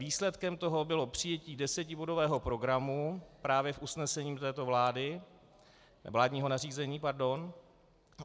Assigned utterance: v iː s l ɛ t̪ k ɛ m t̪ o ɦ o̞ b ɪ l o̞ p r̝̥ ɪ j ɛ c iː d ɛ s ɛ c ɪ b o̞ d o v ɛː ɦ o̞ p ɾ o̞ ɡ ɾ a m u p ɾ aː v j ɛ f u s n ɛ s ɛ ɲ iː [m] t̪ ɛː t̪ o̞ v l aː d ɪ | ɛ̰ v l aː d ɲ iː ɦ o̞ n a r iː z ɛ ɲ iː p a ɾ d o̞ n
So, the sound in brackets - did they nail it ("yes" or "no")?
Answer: yes